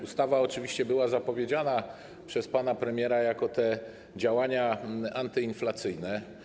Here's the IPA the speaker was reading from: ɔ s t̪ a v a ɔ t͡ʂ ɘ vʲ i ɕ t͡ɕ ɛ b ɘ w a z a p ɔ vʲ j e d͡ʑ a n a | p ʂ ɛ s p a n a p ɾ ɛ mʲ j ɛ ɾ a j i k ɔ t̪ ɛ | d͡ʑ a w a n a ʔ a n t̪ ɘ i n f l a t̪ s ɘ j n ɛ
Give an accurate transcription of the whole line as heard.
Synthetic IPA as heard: u s t̪ a v a ɔ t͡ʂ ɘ vʲ i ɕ t͡ɕ ɛ b ɘ w a z a p ɔ vʲ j e d͡ʑ a n a | p ʂ ɛ s p a n a p ɾ ɛ mʲ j ɛ ɾ a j a k ɔ t̪ ɛ | d͡ʑ a w a ɲ a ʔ a n t̪ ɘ i n f l a t̪ s ɘ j n ɛ